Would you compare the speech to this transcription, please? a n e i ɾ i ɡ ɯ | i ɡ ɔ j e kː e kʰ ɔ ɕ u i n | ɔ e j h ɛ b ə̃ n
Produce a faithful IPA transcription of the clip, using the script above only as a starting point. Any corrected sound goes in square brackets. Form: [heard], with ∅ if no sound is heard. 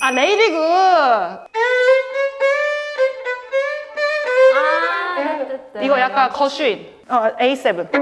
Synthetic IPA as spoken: a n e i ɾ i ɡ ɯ | i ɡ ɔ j [a] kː [a] kʰ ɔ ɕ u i n | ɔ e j [s] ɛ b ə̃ n